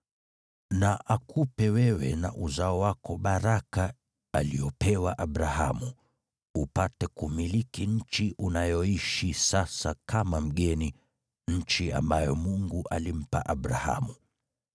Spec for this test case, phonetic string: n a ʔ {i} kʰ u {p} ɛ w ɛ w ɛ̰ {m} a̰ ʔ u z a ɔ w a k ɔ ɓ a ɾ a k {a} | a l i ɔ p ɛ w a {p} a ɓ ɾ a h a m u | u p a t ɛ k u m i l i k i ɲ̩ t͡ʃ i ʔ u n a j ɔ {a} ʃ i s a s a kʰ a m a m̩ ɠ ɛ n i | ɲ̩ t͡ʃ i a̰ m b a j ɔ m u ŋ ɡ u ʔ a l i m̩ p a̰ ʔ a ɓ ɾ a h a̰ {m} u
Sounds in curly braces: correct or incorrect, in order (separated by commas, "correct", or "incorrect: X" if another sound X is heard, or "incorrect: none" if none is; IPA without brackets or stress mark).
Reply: incorrect: a, correct, incorrect: n, correct, incorrect: ʔ, incorrect: i, correct